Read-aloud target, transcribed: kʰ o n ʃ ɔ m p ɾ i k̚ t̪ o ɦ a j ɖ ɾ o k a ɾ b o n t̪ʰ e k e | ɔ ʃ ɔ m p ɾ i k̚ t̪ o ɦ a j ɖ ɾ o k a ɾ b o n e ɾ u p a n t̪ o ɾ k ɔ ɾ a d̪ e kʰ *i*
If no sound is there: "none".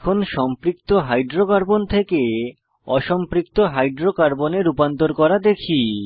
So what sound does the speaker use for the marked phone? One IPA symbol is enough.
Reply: i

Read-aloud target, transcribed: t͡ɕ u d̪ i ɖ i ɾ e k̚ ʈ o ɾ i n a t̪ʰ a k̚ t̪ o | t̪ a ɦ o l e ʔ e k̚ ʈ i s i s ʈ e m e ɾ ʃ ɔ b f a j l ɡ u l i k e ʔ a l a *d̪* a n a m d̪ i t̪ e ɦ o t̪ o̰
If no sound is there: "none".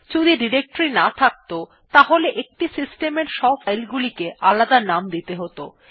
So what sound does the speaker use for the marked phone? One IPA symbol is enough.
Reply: d̪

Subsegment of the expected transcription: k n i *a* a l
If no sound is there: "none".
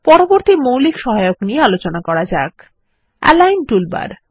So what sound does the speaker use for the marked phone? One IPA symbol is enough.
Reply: e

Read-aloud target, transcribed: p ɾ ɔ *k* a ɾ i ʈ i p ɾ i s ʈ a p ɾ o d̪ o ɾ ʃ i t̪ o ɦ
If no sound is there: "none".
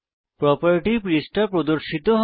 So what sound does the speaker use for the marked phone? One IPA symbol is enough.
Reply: p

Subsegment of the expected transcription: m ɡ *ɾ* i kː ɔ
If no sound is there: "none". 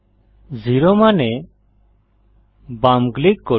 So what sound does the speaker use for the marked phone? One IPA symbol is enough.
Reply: l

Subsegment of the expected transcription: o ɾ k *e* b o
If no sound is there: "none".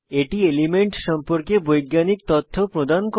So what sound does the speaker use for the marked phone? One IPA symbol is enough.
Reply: e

